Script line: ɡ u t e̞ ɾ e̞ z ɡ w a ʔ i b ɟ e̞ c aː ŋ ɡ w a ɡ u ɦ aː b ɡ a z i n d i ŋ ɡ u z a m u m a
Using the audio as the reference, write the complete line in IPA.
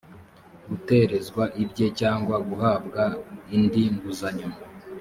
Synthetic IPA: ɡ u t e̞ ɾ e̞ z ɡ w a ʔ i b ɟ e̞ c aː ŋ ɡ w a ɡ u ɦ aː b ɡ a i n d i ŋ ɡ u z a ɲ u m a